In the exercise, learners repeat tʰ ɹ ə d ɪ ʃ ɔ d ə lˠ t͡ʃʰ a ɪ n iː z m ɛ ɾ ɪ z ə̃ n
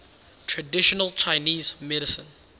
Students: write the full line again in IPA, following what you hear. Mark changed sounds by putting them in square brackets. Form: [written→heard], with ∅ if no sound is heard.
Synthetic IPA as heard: tʰ ɹ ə d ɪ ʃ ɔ [d→n] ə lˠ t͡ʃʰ a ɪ n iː z m ɛ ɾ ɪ [z→s] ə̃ n